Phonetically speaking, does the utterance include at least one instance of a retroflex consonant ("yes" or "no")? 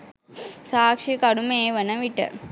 yes